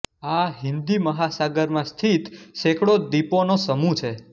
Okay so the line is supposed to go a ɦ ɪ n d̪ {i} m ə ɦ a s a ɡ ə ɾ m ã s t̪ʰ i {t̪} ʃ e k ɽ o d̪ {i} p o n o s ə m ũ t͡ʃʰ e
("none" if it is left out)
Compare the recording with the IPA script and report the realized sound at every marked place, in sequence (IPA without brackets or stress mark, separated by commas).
i, t̪, i